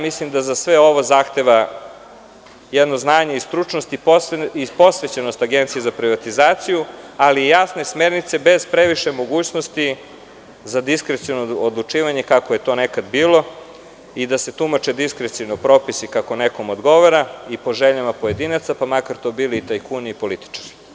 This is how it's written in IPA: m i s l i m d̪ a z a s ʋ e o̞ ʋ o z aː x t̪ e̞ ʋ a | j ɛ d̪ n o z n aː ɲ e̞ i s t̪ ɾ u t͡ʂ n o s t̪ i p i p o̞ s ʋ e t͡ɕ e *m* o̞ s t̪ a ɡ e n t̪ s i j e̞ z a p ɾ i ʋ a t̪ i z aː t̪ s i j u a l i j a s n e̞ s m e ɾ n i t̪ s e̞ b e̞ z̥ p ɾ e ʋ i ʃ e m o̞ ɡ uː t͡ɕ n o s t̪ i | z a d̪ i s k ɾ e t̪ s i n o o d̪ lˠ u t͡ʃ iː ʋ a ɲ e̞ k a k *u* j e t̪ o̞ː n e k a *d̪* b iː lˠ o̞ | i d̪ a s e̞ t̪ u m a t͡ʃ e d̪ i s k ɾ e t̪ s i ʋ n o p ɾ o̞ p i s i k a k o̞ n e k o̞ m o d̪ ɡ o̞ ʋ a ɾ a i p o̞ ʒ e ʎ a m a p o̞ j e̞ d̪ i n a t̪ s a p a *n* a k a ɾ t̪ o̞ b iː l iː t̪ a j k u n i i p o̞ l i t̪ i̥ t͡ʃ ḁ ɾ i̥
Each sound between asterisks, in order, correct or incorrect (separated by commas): incorrect, incorrect, correct, incorrect